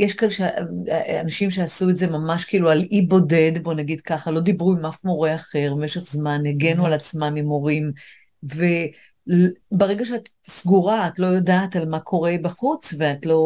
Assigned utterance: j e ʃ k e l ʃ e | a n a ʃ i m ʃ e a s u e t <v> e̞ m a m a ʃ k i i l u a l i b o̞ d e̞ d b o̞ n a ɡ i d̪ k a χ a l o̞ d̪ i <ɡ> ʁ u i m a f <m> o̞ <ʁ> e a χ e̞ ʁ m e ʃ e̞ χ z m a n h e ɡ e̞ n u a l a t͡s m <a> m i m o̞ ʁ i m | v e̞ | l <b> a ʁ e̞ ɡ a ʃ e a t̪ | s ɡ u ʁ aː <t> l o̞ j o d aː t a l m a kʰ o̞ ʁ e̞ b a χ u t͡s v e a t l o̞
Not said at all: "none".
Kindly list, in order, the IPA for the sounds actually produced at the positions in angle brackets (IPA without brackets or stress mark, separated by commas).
z, b, m, ʁ, a, b, t